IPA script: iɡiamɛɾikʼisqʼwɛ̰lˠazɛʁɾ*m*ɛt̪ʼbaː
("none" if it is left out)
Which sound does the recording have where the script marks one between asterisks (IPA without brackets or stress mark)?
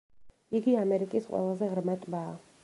m